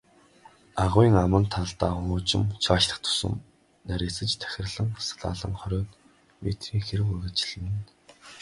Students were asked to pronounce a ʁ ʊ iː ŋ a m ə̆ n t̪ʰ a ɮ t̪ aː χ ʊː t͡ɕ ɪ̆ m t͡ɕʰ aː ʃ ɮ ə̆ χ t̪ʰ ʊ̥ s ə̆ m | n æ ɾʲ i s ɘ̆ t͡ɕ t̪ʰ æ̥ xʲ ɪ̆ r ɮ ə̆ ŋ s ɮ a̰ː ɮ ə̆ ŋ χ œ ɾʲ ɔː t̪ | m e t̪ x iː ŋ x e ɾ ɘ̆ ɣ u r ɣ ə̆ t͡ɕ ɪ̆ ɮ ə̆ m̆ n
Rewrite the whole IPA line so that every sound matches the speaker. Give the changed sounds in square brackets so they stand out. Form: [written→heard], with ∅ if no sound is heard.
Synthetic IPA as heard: a ʁ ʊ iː ŋ a m ə̆ n t̪ʰ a ɮ t̪ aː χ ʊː t͡ɕ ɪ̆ m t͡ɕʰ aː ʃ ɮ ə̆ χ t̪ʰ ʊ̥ s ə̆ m | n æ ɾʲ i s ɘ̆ t͡ɕ t̪ʰ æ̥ xʲ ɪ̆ r ɮ ə̆ ŋ s ɮ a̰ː ɮ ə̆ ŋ χ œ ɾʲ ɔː t̪ | m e t̪ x iː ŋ x e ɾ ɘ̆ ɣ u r ɣ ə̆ t͡ɕ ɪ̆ ɮ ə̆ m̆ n